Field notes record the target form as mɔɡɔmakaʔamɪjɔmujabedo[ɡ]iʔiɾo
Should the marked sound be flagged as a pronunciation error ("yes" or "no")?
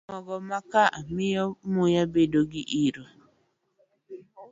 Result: no